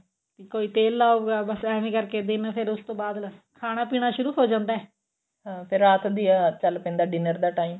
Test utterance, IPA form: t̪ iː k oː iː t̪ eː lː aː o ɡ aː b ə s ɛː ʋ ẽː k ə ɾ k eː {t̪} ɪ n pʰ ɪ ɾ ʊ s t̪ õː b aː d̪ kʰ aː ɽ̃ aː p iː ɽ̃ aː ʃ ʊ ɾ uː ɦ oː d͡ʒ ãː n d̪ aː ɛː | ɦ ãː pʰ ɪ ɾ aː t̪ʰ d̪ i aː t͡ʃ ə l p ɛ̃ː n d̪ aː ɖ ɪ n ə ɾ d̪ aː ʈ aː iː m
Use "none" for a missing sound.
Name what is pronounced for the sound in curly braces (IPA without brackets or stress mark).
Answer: d̪